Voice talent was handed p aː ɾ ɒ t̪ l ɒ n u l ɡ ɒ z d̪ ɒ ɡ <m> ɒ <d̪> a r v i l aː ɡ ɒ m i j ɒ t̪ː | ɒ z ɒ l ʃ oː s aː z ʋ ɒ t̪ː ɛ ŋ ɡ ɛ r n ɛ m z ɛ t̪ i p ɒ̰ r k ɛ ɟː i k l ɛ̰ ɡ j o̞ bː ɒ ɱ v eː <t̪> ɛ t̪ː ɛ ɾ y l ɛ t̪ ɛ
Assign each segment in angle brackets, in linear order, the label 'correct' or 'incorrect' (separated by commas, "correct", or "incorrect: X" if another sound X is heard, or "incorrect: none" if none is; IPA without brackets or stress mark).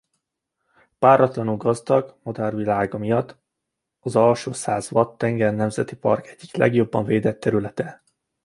correct, correct, incorrect: d̪